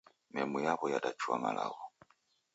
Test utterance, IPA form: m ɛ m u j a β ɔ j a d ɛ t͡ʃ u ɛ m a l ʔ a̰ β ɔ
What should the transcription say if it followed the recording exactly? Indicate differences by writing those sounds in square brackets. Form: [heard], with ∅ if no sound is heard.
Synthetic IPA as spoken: m ɛ m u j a β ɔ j a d [a] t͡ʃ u [a] m a l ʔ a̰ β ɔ